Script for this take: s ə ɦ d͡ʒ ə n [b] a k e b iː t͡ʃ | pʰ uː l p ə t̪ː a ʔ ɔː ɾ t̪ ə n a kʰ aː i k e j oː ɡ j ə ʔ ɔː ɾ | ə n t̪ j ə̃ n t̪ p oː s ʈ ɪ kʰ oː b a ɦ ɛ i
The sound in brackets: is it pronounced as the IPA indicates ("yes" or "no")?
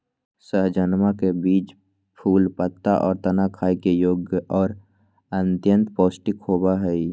no